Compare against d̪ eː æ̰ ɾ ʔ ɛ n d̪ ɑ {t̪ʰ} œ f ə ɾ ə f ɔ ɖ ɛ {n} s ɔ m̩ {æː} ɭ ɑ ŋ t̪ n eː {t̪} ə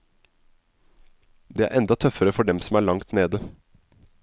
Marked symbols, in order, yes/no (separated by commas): yes, no, yes, no